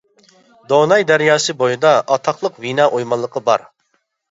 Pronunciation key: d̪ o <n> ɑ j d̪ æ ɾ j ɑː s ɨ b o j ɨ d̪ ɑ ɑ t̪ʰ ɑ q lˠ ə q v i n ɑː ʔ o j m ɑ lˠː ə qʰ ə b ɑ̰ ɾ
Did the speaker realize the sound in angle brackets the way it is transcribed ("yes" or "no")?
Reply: yes